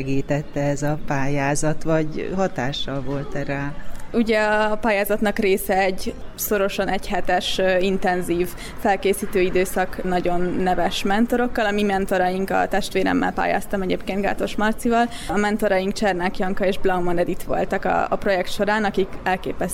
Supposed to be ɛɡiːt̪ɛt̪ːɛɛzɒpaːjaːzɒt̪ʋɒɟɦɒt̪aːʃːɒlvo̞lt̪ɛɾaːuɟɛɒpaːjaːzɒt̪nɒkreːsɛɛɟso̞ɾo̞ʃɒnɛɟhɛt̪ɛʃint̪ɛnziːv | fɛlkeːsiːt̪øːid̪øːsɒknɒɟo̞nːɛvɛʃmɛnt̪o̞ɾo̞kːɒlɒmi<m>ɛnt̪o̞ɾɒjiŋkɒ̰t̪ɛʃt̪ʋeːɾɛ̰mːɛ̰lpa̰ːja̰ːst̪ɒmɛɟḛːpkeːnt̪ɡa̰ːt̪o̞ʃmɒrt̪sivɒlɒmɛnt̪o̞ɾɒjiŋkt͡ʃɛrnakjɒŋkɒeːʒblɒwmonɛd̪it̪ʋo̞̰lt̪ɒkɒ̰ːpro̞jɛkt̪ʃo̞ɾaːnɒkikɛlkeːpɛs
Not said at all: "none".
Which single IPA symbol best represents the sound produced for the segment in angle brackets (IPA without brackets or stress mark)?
m